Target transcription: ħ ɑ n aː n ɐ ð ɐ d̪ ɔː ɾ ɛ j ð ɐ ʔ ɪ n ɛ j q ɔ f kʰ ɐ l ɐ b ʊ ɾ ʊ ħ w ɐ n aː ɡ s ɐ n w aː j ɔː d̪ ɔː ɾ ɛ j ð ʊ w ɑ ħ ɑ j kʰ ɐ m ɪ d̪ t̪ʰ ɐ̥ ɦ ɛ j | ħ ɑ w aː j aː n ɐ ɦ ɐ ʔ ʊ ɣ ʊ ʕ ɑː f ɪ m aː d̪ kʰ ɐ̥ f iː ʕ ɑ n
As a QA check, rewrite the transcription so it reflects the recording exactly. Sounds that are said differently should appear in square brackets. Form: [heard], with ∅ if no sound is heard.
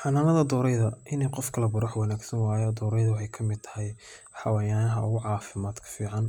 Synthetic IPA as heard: ħ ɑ n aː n ɐ ð ɐ d̪ ɔː ɾ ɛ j ð ɐ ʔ ɪ n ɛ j q ɔ f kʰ ɐ l ɐ b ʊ ɾ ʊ ħ w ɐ n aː ɡ s ɐ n w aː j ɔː d̪ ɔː ɾ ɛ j ð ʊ w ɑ ħ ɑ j kʰ ɐ m ɪ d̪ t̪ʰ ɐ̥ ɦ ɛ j | ħ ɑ w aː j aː n ɐ ɦ ɐ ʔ ʊ ɣ ʊ ʕ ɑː f ɪ m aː d̪ kʰ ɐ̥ f iː ʕ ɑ n